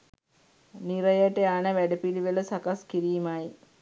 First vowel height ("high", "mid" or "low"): high